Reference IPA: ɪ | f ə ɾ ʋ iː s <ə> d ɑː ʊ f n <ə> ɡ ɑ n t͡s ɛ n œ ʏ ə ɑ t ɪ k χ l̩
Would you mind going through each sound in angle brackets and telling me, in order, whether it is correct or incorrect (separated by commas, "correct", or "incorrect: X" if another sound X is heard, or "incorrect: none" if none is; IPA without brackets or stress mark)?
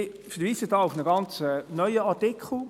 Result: correct, correct